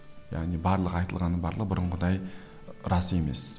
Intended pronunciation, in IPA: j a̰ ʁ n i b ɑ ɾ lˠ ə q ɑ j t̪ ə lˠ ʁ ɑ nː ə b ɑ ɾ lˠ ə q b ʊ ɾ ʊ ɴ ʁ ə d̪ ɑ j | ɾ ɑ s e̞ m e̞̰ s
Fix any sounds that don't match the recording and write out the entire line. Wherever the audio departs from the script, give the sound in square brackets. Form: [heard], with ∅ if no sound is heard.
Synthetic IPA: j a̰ ʁ n i b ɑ ɾ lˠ ə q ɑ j t̪ ə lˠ ʁ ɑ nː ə b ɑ ɾ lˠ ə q b ʊ ɾ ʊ ɴ ʁ ə d̪ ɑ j | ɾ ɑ s e̞ m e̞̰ s